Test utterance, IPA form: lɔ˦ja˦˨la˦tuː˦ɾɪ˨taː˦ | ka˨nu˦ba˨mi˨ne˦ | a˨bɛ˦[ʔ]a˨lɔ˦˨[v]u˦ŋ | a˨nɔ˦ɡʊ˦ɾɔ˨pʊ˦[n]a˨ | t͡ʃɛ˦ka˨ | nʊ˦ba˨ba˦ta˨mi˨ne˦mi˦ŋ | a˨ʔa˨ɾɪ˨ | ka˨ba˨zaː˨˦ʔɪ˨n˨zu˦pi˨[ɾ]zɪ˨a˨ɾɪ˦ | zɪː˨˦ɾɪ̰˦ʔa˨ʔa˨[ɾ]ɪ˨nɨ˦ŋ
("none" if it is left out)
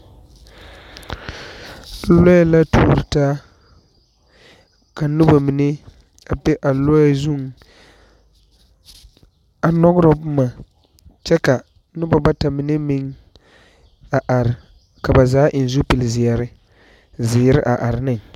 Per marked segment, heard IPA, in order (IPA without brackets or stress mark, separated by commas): ʔ, z, m, l, ɾ